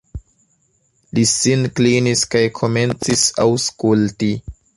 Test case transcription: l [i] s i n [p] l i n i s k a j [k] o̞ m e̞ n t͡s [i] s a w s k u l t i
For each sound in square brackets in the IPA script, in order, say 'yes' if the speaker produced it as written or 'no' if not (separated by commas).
yes, no, no, yes